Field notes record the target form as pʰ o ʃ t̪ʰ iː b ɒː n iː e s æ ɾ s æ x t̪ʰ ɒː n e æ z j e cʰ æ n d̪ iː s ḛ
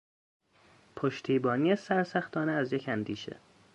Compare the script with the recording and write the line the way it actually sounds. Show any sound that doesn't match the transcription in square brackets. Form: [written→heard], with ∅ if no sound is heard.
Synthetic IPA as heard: pʰ o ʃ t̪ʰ iː b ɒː n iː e s æ ɾ s æ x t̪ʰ ɒː n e æ z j e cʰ æ n d̪ iː [s→ʃ] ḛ

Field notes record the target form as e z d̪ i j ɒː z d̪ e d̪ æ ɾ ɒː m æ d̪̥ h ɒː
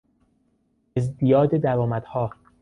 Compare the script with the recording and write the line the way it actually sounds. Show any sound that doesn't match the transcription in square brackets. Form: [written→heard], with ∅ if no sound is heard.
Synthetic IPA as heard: e z d̪ i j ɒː [z→∅] d̪ e d̪ æ ɾ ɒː m æ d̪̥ h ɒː

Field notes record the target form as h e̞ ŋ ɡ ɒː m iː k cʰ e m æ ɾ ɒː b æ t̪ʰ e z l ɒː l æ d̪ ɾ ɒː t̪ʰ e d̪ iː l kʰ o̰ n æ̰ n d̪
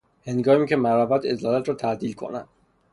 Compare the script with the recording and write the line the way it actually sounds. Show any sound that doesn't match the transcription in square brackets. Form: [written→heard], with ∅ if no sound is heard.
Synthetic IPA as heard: h e̞ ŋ ɡ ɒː m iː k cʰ e m æ ɾ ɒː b æ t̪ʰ e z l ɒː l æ [d̪→t̪] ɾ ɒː t̪ʰ [e→æ] d̪ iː l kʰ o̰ n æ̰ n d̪

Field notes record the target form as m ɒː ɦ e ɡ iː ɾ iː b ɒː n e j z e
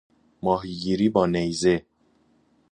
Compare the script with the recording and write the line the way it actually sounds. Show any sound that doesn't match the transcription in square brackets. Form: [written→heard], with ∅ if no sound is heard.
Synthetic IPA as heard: m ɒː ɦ [e→i] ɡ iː ɾ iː b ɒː n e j z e

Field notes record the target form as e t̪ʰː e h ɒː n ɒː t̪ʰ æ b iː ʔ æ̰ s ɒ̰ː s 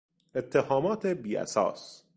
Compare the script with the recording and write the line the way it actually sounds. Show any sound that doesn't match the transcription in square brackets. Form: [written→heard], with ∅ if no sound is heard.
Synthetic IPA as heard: e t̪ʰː e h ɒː [n→m] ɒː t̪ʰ [æ→e] b iː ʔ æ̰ s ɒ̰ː s

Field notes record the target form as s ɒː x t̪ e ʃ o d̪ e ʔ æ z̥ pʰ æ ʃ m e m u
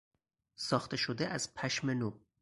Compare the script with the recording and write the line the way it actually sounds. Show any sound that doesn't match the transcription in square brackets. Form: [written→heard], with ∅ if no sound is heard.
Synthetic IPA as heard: s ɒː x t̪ e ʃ o d̪ e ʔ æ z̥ pʰ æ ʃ m e [m→n] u

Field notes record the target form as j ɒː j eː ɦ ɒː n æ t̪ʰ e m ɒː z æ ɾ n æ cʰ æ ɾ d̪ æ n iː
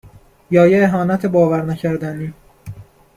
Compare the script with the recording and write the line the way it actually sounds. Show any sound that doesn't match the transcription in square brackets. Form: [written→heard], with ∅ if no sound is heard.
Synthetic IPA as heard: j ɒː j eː ɦ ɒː n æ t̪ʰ e [m→b] ɒː [z→v] æ ɾ n æ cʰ æ ɾ d̪ æ n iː

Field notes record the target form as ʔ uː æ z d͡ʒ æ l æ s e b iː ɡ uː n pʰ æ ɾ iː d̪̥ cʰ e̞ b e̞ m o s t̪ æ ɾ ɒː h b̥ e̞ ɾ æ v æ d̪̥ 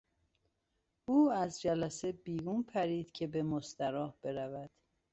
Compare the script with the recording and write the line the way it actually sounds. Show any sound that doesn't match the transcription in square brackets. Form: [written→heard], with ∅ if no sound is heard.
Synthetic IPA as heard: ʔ uː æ z d͡ʒ æ l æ s e b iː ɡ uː n pʰ æ ɾ iː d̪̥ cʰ e̞ b e̞ m o s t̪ æ ɾ ɒː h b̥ e̞ ɾ æ v æ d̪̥

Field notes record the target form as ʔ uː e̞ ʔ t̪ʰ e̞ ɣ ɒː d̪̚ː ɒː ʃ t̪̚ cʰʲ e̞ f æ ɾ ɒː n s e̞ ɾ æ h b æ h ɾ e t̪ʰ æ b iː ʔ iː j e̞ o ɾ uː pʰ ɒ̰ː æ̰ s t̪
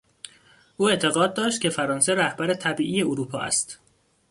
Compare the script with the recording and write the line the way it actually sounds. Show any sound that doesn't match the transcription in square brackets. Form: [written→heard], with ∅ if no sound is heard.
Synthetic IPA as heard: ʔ uː e̞ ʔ t̪ʰ e̞ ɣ ɒː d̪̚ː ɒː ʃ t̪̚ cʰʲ e̞ f æ ɾ ɒː n s e̞ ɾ æ h b æ [h→∅] ɾ e t̪ʰ æ b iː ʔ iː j e̞ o ɾ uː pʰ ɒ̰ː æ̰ s t̪

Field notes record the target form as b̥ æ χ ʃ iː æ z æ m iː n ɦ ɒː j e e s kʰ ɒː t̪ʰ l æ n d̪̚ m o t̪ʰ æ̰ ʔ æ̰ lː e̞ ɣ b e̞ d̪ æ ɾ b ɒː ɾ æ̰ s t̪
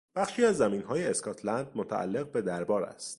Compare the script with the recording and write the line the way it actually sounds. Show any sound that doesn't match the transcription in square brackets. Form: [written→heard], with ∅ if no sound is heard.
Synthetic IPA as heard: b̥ æ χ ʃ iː æ [z→zː] æ m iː n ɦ ɒː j e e s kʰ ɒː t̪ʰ l æ n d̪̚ m o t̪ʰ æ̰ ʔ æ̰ lː e̞ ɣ b e̞ d̪ æ ɾ b ɒː ɾ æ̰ s t̪

